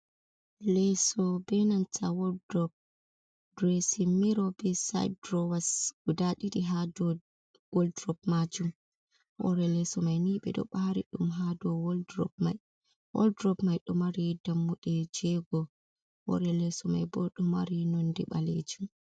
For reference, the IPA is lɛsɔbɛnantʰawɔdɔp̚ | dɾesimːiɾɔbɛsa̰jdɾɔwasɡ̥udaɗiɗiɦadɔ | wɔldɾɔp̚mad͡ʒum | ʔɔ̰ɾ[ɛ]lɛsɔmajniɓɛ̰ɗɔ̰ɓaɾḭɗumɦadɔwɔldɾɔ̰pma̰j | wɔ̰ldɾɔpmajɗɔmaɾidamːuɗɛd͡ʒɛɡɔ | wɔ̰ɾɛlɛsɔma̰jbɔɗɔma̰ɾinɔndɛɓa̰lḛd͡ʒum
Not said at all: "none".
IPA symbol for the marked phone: ɛ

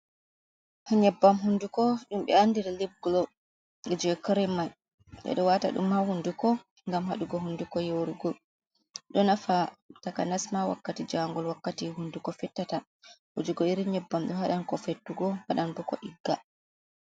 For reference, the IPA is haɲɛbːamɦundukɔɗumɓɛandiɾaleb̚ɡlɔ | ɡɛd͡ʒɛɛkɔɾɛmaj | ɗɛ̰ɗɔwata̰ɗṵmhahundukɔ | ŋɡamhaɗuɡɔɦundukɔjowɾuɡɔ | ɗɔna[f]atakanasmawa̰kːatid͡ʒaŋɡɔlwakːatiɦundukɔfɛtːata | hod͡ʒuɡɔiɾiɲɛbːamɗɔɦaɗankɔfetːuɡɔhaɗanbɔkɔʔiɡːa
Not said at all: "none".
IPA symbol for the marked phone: f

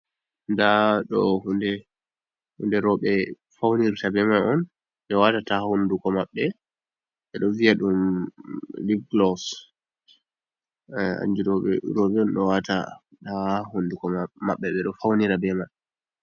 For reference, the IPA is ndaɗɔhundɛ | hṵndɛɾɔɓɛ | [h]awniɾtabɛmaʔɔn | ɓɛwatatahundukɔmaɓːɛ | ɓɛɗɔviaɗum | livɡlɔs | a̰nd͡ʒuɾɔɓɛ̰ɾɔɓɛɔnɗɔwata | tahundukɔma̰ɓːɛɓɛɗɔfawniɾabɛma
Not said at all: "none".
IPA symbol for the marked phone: f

